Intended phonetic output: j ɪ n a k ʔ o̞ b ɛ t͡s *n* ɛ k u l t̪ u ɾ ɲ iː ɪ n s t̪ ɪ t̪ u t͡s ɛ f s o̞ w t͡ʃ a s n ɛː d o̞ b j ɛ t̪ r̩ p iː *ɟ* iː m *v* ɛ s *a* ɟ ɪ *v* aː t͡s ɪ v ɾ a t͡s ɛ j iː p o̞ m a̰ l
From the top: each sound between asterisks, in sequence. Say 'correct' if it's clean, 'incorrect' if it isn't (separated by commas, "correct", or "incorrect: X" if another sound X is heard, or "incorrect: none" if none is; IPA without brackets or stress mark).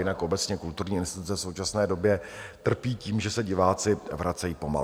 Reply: incorrect: ɲ, incorrect: c, incorrect: ʒ, incorrect: ɛ, correct